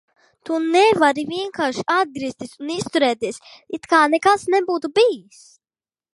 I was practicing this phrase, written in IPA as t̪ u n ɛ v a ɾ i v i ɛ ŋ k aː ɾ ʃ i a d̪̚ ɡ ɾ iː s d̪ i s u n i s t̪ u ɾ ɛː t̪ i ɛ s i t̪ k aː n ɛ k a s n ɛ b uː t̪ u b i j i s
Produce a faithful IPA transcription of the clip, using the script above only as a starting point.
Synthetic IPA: t̪ u n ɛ v a ɾ i v i ɛ ŋ k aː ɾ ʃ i a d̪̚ ɡ ɾ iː s t̪ i s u n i s t̪ u ɾ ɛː t̪ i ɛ s i t̪ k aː n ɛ k a s n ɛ b uː t̪ u b i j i s